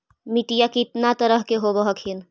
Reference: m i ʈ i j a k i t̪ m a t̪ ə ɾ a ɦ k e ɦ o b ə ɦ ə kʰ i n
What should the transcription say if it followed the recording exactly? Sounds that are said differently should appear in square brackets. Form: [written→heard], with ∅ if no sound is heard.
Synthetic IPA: m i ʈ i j a k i t̪ [m→n] a t̪ ə ɾ [a→ə] ɦ k e ɦ o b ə ɦ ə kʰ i n

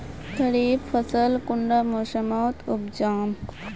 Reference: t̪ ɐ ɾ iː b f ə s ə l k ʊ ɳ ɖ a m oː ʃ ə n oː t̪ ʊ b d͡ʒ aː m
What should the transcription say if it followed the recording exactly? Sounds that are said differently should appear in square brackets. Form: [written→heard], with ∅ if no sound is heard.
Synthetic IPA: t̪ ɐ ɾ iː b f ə s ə l k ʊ ɳ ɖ a m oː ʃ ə [n→m] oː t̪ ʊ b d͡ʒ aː m

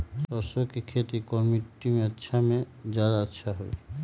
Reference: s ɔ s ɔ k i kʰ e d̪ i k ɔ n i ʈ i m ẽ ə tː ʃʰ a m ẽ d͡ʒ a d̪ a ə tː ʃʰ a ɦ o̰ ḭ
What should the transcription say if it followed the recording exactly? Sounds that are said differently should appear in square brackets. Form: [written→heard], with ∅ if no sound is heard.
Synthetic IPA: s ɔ s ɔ k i kʰ e [d̪→t̪] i k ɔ [n→m] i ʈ i m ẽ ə tː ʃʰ a m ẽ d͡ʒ a d̪ a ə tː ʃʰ a ɦ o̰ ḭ

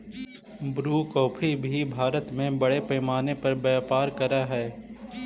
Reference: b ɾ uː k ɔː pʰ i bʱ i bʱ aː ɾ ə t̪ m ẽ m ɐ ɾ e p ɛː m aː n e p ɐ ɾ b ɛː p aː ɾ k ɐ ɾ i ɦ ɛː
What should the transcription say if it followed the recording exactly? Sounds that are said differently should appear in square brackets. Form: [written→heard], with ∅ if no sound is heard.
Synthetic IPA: b ɾ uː k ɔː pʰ i bʱ i bʱ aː ɾ ə t̪ m ẽ [m→b] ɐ [ɾ→ɽ] e p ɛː m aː n e p ɐ ɾ b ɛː p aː ɾ k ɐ ɾ [i→a] ɦ ɛː

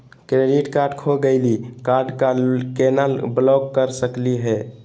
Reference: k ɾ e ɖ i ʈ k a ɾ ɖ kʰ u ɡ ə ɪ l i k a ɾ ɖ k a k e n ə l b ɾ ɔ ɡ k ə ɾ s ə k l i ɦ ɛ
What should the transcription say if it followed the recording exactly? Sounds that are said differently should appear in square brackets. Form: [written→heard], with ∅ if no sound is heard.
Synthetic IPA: k ɾ e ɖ i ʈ k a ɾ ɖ kʰ [u→o] ɡ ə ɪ l i k a ɾ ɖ k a k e n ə l b [ɾ→l] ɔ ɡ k ə ɾ s ə k l i ɦ ɛ

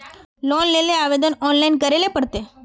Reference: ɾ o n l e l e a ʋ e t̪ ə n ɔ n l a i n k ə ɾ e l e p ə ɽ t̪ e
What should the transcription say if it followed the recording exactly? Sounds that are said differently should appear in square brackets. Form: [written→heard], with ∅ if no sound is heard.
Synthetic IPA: [ɾ→l] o n l e l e a ʋ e [t̪→d̪] ə n ɔ n l a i n k ə ɾ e l e p ə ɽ t̪ e

